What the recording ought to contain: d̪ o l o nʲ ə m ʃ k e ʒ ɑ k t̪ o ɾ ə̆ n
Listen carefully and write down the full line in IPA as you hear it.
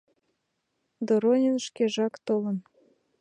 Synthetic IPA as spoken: d̪ o ɾ o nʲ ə n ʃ k e ʒ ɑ k t̪ o l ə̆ n